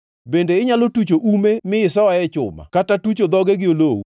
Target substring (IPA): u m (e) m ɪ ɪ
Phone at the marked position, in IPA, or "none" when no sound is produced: e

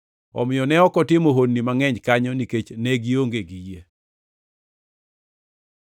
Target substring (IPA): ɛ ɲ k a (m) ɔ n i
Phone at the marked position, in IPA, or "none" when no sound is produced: ɲ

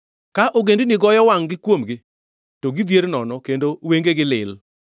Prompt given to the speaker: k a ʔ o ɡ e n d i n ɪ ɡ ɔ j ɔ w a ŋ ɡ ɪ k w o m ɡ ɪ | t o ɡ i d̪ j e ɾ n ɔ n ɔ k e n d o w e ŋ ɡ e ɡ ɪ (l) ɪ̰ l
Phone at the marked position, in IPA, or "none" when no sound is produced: l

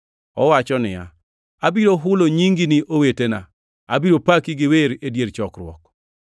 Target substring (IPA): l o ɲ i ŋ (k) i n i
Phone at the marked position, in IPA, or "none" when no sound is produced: ɡ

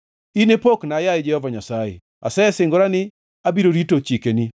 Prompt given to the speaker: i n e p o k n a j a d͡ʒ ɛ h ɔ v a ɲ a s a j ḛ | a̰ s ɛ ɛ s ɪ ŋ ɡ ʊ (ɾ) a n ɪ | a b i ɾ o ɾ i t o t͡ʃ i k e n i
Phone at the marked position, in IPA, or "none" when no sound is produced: ɾ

